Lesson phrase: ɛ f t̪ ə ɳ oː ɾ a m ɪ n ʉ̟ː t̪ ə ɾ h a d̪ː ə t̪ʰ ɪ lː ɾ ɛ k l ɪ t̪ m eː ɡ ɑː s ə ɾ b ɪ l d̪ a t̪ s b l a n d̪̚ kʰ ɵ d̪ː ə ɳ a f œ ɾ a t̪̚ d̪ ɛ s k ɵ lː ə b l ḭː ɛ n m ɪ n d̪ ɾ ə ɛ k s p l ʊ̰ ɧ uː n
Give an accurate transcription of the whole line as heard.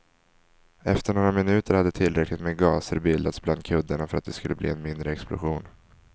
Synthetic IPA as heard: ɛ f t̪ ə ɳ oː ɾ a m ɪ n ʉ̟ː t̪ ə ɾ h a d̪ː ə t̪ʰ ɪ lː ɾ ɛ k l ɪ t̪ m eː ɡ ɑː s ə ɾ b ɪ l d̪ a t̪ s b l a n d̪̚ kʰ ɵ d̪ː ə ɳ a f œ ɾ a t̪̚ d̪ ɛ s k ɵ lː ə b l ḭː ɛ n m ɪ n d̪ ɾ ə ɛ k s p l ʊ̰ ɧ uː n